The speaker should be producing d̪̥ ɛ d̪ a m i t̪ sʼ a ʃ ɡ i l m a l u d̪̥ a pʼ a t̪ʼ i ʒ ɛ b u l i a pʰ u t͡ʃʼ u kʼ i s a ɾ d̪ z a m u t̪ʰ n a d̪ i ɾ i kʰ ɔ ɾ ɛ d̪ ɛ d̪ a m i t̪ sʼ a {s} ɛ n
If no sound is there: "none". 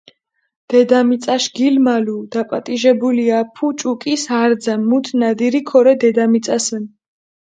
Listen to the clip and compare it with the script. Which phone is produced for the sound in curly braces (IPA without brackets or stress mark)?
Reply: s